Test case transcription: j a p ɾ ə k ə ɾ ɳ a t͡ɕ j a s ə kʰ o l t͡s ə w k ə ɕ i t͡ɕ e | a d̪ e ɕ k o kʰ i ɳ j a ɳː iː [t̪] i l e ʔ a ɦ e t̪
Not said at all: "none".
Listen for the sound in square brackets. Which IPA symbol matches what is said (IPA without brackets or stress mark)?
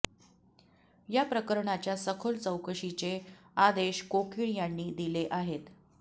d̪